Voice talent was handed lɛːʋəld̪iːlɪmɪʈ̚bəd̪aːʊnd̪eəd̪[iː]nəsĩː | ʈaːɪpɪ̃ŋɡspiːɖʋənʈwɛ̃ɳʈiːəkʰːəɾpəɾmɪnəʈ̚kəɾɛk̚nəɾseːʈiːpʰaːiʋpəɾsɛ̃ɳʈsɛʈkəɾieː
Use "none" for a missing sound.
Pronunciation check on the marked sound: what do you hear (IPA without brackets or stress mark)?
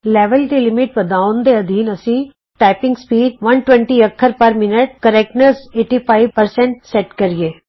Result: iː